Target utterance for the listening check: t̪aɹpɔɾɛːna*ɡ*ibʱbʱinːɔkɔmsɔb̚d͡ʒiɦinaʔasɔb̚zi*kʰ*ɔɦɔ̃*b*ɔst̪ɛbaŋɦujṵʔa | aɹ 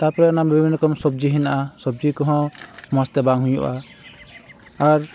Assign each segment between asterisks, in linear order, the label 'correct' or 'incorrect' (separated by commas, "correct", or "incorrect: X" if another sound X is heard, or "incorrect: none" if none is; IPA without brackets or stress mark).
incorrect: b, incorrect: k, incorrect: m